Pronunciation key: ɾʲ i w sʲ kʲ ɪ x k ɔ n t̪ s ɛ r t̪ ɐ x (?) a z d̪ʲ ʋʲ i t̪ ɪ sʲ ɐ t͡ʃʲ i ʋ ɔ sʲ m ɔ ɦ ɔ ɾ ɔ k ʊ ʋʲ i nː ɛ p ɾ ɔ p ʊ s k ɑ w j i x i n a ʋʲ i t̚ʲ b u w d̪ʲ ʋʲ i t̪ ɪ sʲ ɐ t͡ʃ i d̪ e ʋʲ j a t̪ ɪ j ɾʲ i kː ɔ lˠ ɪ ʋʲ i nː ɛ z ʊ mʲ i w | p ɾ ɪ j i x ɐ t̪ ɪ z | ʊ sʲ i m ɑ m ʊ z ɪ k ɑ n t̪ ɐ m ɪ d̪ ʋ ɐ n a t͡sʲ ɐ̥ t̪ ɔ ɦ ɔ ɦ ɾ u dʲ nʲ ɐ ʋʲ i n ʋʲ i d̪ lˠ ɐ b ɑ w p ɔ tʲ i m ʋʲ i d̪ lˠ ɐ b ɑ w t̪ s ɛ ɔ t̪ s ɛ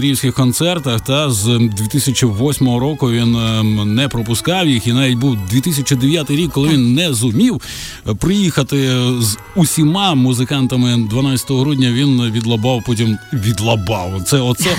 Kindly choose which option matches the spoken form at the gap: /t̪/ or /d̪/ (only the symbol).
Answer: t̪